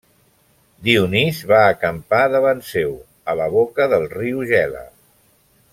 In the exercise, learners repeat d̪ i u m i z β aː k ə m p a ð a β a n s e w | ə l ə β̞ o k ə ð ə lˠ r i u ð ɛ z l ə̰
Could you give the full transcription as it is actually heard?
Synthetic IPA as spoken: d̪ i u n i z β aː k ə m p a ð ə β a n s e w | ə l ə β̞ o k ə ð ə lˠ r i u ʒ ɛ l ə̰

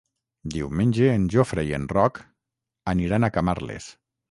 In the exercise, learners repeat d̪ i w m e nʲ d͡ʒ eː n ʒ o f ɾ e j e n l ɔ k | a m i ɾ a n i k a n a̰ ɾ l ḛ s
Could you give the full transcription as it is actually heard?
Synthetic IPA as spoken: d̪ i w m e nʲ d͡ʒ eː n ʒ o f ɾ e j e n r ɔ k | a n i ɾ a n a k a m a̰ ɾ l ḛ s

